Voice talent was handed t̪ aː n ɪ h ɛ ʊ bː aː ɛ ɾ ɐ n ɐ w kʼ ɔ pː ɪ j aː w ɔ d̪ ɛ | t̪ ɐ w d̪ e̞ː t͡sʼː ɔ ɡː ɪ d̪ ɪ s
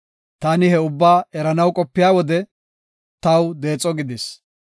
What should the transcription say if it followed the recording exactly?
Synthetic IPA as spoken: t̪ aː n ɪ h ɛ ʊ bː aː ɛ ɾ ɐ n ɐ w kʼ ɔ pː ɪ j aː w ɔ d̪ ɛ | t̪ ɐ w d̪ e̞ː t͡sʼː ɔ ɡ ɪ d̪ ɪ s